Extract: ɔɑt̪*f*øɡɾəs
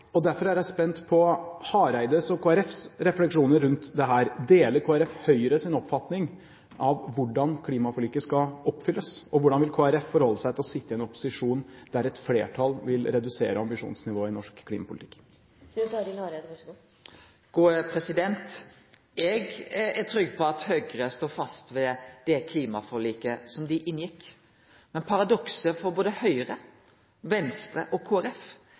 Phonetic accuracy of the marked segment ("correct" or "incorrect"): incorrect